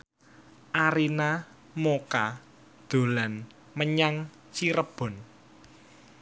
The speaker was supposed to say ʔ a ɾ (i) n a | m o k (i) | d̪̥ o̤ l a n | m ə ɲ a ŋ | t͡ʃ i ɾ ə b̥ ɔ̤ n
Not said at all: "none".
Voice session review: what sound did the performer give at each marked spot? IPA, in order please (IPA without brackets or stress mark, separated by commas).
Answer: i, a